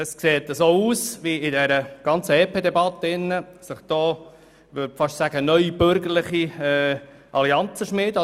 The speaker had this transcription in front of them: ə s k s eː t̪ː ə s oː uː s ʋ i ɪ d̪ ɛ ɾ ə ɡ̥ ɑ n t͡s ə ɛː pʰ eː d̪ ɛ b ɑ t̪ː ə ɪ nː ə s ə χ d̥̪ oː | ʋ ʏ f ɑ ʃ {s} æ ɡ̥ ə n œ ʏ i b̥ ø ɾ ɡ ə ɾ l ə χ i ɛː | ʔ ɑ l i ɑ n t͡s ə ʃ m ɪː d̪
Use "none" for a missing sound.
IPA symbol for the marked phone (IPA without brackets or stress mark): s